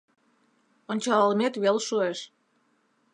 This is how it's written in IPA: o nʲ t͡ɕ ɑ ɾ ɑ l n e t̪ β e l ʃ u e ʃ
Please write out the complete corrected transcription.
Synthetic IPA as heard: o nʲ t͡ɕ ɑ l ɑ l m e t̪ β e l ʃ u e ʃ